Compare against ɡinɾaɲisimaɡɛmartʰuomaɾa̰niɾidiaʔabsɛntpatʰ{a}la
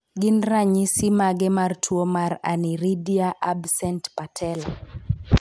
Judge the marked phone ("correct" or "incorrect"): incorrect